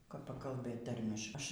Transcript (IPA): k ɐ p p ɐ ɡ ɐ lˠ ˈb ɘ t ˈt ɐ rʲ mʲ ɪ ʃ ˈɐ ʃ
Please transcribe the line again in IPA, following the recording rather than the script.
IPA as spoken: k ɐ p p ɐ k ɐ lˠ ˈb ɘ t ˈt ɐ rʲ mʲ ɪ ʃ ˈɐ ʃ

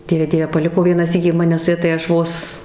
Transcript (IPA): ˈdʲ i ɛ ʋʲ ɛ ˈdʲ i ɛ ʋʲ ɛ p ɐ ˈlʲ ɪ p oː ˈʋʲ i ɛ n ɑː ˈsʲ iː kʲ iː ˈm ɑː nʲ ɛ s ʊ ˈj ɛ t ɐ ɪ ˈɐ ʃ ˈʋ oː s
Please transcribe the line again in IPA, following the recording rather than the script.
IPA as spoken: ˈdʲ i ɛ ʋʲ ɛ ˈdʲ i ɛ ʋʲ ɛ p ɐ ˈlʲ ɪ k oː ˈʋʲ i ɛ n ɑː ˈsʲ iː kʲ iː ˈm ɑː nʲ ɛ s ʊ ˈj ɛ t ɐ ɪ ˈɐ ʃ ˈʋ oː s

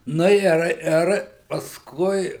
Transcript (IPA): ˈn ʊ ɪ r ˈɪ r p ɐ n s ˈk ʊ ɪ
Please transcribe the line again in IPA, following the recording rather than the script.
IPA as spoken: ˈn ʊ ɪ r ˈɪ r p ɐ s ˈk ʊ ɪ

